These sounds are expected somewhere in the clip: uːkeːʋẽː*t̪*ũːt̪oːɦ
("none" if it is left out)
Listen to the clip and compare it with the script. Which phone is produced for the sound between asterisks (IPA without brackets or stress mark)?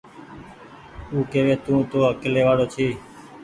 t̪